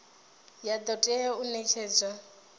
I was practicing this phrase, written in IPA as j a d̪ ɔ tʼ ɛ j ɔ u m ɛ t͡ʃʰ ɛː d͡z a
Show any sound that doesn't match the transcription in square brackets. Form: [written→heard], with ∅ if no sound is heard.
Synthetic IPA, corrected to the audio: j a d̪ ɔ tʼ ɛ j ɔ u [m→n] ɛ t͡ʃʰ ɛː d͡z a